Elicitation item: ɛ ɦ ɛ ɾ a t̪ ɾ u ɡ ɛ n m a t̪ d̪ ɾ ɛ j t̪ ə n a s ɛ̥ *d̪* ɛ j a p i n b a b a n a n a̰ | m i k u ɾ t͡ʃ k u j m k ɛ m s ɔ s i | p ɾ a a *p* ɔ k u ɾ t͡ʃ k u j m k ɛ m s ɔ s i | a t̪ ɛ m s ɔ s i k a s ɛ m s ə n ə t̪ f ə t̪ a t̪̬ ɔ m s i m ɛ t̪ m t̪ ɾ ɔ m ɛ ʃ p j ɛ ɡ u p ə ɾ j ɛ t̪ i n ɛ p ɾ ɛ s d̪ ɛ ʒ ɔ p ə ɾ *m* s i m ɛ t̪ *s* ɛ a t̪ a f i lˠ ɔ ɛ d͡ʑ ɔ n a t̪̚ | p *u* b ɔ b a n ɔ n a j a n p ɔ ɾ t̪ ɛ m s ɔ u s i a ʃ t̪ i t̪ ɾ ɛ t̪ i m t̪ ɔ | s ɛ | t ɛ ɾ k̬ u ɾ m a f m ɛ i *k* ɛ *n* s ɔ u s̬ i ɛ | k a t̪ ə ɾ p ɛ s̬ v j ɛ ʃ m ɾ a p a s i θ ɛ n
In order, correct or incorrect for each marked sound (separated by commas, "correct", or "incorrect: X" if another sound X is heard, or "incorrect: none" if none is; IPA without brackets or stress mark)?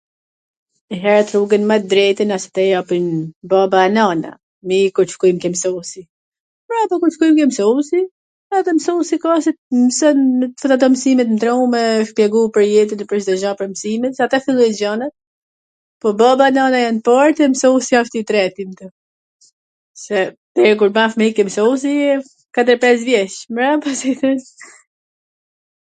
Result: incorrect: t̪, correct, correct, correct, incorrect: ɔ, correct, incorrect: m